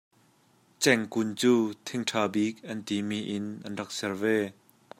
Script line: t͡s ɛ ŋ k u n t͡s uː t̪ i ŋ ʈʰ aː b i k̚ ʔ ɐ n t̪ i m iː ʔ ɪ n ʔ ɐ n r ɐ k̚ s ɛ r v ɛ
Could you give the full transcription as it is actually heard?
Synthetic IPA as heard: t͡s ɛ ŋ k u n t͡s uː t̪ʰ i ŋ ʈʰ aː b i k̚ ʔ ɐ n t̪ i m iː ʔ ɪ n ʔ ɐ n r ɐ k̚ s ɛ r v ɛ